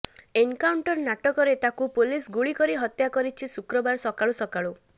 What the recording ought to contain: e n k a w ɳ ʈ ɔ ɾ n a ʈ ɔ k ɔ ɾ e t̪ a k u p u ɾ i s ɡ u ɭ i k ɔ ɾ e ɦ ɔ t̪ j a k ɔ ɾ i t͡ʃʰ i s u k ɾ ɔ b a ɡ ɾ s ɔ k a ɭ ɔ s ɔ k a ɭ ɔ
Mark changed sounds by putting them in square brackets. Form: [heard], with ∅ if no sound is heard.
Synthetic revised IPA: e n k a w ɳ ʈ ɔ ɾ n a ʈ ɔ k ɔ ɾ e t̪ a k u p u [l] i s ɡ u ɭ i k ɔ ɾ [i] ɦ ɔ t̪ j a k ɔ ɾ i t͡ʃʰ i s u k ɾ ɔ b a [∅] ɾ s ɔ k a ɭ [u] s ɔ k a ɭ [u]